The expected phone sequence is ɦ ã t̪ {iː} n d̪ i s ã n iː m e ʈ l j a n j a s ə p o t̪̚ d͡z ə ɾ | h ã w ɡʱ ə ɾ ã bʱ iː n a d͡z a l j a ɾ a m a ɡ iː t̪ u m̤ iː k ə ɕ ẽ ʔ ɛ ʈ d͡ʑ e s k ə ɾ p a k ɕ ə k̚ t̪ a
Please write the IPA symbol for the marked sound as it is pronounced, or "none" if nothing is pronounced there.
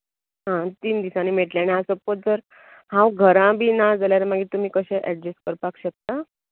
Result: iː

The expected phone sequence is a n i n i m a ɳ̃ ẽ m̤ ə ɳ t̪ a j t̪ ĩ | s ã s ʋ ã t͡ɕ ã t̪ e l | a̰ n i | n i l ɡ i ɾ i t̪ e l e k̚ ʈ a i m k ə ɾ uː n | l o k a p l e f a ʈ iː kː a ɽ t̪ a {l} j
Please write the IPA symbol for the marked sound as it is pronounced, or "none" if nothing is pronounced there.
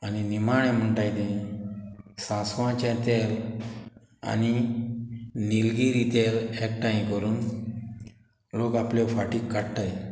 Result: none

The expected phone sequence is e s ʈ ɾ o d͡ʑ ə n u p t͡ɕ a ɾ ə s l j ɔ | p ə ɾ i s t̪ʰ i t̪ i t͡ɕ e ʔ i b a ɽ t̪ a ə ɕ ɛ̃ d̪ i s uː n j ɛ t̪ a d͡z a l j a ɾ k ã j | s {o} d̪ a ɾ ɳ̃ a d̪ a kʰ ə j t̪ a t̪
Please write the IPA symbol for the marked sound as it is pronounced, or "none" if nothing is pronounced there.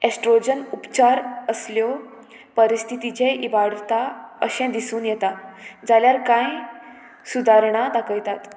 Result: u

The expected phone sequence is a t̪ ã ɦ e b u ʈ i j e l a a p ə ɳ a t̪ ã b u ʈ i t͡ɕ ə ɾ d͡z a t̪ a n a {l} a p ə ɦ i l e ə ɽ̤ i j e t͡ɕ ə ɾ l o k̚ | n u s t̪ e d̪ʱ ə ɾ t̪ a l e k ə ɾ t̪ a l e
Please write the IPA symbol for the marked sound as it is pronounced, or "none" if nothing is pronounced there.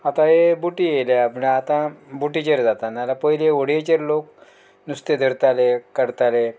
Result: l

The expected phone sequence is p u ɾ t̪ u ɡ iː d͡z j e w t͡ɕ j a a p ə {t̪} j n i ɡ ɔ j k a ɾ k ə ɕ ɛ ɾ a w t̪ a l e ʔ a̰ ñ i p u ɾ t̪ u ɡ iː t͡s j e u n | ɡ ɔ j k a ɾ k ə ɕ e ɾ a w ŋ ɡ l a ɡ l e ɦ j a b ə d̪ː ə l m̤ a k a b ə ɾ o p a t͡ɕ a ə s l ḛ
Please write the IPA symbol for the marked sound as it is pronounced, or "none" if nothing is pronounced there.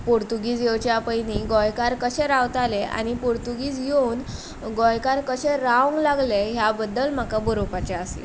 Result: none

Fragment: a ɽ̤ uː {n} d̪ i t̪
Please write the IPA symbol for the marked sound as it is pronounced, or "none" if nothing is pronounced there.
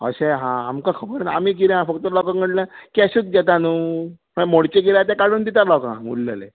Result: n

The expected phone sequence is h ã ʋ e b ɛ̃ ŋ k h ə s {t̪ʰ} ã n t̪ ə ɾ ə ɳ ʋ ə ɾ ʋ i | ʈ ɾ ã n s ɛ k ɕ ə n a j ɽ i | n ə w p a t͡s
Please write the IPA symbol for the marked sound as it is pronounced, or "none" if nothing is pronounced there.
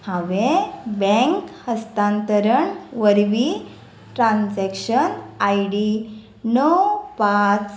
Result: t̪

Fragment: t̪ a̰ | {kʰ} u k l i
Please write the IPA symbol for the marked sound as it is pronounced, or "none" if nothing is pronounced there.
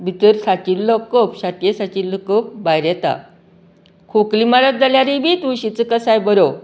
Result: kʰ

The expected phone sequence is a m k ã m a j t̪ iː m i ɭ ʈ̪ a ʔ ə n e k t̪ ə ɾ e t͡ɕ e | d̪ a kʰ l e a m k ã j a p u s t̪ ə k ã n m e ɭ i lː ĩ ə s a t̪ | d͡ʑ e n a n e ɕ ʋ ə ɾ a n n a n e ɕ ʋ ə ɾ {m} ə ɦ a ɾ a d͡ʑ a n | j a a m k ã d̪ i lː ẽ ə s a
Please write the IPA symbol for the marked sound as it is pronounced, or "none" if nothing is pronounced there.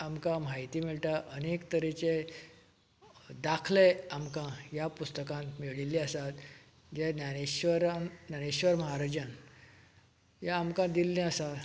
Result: m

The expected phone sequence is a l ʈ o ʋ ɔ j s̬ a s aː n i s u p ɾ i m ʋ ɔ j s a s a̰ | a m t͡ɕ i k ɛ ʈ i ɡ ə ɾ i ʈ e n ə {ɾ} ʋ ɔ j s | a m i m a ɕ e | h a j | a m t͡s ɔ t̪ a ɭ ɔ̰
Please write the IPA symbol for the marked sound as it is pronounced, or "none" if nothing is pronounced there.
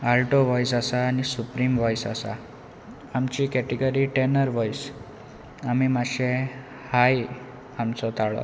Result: ɾ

